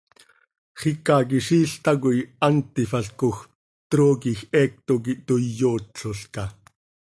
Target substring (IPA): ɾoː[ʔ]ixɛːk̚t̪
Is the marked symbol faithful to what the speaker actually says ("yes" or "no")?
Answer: no